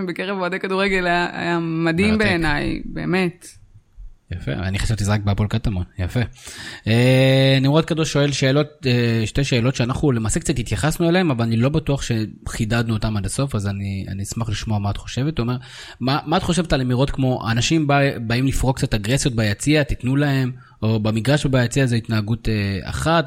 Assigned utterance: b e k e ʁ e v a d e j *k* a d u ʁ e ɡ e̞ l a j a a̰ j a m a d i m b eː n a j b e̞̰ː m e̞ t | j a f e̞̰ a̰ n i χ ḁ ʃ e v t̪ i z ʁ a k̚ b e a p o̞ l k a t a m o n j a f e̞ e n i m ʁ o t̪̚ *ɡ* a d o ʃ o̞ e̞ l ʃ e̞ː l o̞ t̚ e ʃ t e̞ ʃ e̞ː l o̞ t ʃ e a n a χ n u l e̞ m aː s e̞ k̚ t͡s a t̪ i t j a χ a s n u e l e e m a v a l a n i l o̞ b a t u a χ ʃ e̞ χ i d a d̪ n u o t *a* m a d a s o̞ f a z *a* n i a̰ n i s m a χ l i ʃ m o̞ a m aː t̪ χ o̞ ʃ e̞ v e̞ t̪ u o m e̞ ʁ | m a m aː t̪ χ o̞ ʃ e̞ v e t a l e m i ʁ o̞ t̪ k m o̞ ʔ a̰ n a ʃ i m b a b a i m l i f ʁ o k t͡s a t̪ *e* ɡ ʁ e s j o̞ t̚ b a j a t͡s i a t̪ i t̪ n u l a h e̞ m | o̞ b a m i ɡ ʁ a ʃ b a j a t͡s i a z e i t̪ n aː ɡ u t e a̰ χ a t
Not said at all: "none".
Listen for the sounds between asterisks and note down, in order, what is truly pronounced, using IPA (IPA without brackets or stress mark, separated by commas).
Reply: k, k, a, a, a